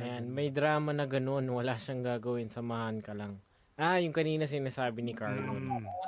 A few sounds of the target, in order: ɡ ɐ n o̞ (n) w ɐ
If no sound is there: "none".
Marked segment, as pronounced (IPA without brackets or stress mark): n